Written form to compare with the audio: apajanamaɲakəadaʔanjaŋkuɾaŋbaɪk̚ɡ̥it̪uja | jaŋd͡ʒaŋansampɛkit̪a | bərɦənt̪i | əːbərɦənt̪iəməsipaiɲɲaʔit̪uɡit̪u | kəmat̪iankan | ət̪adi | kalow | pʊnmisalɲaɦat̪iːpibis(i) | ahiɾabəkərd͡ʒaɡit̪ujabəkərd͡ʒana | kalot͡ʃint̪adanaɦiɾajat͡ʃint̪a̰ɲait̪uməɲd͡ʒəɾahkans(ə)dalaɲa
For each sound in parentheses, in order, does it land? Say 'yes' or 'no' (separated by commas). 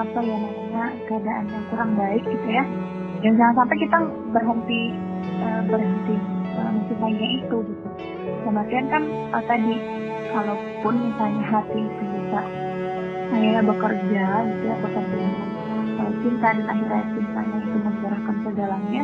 no, yes